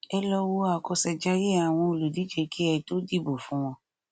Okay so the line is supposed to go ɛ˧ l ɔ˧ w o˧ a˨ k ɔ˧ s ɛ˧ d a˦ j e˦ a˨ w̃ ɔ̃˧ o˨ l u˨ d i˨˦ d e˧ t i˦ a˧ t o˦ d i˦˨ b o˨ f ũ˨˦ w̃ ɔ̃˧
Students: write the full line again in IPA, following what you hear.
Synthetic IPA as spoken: ɛ˧ l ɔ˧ w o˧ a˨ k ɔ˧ s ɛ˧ d͡ʒ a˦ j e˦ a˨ w̃ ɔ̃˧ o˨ l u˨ d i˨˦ d͡ʒ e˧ k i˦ ɛ˧ t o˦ d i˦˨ b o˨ f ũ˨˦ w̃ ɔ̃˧